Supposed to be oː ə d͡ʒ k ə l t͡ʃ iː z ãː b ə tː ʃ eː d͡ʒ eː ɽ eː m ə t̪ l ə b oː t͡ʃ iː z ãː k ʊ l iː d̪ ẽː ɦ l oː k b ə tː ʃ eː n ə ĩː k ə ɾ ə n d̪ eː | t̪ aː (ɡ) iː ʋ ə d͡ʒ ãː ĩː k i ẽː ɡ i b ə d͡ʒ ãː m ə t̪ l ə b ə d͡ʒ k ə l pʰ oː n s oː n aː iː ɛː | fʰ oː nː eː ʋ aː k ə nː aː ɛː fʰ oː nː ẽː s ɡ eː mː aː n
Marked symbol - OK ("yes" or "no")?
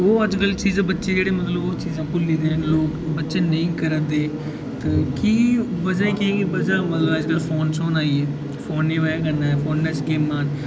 no